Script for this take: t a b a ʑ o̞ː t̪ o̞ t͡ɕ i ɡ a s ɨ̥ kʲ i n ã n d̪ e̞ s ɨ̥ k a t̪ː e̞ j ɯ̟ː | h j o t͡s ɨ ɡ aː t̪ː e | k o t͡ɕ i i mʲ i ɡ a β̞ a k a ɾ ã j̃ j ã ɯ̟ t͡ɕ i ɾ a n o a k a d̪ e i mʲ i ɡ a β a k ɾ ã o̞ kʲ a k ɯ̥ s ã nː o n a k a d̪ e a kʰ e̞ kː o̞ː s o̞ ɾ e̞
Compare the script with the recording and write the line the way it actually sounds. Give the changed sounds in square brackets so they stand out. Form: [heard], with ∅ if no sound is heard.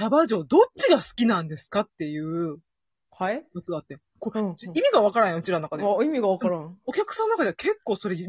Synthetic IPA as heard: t a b a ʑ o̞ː [d̪] o̞ t͡ɕ i ɡ a s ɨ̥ kʲ i n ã n d̪ e̞ s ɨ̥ k a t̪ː e̞ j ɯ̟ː | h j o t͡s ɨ ɡ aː t̪ː e | k o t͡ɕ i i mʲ i ɡ a β̞ a k a ɾ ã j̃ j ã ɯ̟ t͡ɕ i ɾ a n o a k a d̪ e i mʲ i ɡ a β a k ɾ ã o̞ kʲ a k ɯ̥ s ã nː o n a k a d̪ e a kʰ e̞ kː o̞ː s o̞ ɾ e̞